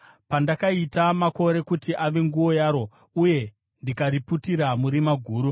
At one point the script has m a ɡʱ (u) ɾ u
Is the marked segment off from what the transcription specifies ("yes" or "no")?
yes